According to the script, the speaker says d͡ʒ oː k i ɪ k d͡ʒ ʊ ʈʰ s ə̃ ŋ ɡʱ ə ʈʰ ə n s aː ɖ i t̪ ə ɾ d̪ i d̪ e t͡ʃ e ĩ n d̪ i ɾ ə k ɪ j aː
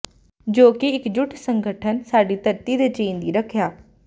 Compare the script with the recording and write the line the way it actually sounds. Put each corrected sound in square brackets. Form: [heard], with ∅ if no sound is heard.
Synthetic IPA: d͡ʒ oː k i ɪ k d͡ʒ ʊ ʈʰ s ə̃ ŋ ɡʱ ə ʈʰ ə n s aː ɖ i t̪ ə ɾ [t̪] i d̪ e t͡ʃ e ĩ n d̪ i ɾ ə [kʰ] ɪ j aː